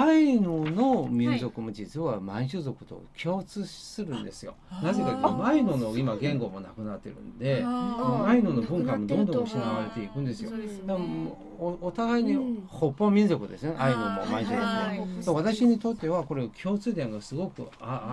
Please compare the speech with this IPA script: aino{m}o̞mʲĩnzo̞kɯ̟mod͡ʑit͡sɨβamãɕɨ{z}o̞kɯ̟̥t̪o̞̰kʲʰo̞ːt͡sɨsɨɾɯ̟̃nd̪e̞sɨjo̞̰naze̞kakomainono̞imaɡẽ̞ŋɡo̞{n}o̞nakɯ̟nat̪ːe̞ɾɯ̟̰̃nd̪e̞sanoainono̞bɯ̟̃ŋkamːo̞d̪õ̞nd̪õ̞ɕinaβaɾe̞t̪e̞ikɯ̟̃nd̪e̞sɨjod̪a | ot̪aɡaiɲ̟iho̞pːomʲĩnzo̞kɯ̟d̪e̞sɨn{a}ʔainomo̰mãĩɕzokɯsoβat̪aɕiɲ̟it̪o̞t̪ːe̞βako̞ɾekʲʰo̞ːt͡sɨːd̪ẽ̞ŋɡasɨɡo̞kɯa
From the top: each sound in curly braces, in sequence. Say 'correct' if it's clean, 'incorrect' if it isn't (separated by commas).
incorrect, correct, incorrect, incorrect